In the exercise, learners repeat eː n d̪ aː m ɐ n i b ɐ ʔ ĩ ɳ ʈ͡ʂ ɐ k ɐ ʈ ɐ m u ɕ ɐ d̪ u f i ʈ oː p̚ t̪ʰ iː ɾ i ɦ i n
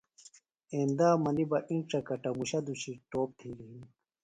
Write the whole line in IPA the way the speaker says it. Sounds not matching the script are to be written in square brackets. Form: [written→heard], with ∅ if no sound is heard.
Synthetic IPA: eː n d̪ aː m ɐ n i b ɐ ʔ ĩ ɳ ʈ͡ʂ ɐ k ɐ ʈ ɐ m u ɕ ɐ d̪ u [f→ɕ] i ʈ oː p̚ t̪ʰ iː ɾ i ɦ i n